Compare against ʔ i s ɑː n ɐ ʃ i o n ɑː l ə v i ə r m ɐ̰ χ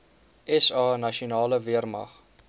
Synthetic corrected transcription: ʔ ɛ s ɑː n ɐ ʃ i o n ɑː l ə v i ə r m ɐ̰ χ